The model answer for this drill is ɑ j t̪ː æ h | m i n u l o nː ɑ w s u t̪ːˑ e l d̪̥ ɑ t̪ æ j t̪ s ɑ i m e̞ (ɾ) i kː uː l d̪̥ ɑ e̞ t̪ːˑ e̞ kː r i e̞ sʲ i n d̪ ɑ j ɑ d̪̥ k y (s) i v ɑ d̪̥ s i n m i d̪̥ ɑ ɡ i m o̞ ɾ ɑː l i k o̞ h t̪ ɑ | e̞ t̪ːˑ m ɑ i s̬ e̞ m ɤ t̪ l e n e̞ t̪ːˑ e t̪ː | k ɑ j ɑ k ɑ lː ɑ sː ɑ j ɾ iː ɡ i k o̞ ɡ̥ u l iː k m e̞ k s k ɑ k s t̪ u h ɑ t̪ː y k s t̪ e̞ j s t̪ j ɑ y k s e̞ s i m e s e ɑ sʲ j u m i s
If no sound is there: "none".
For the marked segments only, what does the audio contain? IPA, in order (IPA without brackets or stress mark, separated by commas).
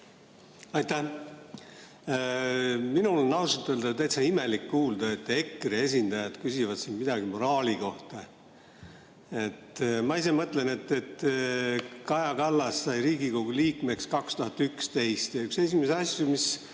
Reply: l, s